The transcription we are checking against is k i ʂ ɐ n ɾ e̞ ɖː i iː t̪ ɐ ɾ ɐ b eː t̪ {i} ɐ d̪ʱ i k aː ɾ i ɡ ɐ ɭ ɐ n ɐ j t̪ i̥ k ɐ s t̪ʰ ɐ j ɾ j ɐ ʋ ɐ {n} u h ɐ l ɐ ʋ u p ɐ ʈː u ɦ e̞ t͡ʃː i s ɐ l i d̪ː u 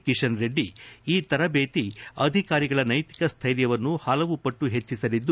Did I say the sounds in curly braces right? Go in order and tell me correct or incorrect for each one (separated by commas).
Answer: correct, incorrect